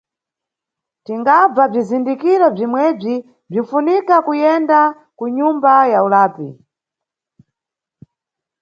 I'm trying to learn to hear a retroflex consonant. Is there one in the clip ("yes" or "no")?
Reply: yes